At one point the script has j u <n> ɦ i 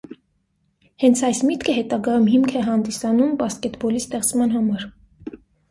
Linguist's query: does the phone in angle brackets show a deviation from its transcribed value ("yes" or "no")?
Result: yes